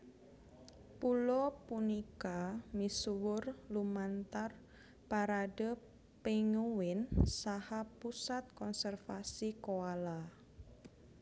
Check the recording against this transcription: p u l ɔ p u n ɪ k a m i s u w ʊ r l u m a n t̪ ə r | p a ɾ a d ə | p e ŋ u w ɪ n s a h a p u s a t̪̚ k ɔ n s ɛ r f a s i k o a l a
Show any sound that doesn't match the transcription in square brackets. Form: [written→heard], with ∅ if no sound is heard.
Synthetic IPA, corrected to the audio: p u l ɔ p u n [ɪ→i] k a m i s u w ʊ r l u m a n t̪ [ə→a] r | p a ɾ a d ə | p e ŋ u w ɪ n s a h a p u s a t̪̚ k ɔ n s ɛ r f a s i k o a l a